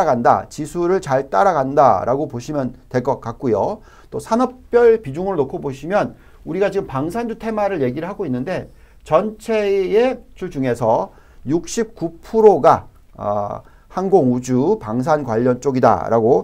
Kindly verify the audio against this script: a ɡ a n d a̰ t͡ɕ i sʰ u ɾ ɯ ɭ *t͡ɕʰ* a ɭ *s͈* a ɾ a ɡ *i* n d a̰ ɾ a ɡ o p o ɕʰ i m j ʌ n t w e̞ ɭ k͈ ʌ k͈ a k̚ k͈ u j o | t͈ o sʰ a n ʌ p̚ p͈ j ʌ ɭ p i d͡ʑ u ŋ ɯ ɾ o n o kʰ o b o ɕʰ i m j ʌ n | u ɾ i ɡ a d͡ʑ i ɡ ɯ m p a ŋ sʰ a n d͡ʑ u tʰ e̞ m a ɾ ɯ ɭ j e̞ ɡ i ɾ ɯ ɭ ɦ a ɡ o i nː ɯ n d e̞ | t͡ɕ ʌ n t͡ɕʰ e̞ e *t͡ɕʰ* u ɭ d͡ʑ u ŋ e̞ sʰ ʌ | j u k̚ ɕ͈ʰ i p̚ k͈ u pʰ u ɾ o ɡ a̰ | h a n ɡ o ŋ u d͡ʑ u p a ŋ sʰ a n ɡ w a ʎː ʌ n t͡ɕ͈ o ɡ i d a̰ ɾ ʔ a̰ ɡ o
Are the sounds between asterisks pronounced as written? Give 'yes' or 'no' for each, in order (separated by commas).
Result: no, no, no, yes